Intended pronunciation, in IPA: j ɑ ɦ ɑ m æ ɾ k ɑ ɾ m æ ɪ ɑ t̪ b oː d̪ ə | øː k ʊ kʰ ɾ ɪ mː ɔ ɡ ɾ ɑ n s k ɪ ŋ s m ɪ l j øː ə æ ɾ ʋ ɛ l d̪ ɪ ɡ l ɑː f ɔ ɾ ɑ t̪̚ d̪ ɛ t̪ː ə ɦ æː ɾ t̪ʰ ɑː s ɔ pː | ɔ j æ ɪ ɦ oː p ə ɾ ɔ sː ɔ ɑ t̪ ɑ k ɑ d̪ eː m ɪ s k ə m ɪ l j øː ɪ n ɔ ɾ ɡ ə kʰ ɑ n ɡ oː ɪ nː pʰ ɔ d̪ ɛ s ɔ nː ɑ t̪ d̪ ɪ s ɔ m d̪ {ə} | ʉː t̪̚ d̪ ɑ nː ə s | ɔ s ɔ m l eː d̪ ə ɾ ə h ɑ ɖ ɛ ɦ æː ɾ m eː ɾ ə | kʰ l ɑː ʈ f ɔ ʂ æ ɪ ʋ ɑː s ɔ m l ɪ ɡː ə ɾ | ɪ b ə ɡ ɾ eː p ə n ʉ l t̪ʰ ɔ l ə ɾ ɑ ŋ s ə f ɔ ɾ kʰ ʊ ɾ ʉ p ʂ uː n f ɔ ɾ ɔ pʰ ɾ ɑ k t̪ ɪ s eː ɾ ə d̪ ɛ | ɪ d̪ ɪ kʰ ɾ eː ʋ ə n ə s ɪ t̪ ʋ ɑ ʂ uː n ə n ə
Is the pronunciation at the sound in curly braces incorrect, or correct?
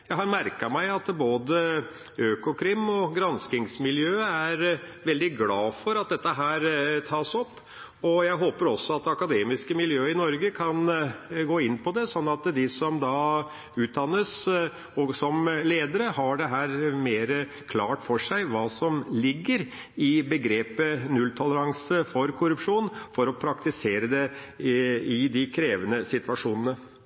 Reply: incorrect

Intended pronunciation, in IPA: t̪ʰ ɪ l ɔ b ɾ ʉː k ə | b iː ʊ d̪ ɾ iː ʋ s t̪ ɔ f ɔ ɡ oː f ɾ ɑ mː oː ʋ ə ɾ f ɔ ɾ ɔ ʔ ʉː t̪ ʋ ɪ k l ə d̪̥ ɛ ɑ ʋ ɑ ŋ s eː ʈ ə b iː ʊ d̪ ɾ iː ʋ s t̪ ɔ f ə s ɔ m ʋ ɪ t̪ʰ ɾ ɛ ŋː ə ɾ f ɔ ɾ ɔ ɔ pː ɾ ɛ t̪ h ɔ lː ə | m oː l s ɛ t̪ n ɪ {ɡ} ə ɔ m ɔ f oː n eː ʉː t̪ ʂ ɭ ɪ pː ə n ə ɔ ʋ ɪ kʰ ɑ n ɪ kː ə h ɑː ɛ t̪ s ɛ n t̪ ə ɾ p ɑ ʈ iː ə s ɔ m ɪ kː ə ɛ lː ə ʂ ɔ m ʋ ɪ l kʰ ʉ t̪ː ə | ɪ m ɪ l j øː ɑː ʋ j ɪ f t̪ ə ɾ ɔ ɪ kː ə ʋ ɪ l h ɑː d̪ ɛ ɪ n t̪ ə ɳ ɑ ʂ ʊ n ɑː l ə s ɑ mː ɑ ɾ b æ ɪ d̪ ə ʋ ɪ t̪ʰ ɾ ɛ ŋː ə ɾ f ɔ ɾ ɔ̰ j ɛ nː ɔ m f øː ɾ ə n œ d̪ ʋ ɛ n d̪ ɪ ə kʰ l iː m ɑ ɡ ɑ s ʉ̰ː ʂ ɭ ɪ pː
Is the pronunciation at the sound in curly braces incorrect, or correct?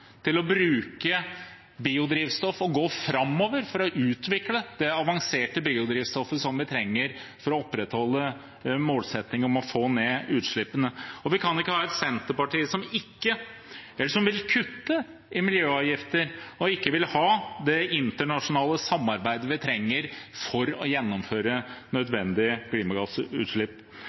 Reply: incorrect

